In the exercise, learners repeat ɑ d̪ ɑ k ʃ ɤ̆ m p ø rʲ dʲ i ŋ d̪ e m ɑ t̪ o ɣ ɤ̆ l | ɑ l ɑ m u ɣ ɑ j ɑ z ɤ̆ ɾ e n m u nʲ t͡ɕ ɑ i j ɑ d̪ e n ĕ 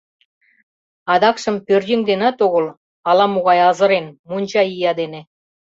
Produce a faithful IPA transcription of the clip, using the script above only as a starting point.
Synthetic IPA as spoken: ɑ d̪ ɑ k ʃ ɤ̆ m p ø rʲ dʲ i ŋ d̪ e n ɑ t̪ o ɣ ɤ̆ l | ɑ l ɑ m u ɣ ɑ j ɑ z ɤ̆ ɾ e n m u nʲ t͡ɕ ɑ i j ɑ d̪ e n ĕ